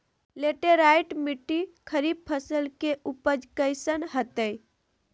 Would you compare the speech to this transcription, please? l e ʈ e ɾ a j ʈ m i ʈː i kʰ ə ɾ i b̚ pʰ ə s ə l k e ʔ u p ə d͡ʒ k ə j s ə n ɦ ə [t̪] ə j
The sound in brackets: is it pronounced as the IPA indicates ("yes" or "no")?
yes